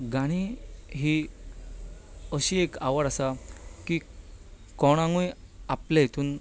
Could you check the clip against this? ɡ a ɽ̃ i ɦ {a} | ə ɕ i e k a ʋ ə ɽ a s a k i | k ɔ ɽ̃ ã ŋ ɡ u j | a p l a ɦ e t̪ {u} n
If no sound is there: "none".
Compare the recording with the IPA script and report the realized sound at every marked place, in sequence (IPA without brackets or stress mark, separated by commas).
i, uː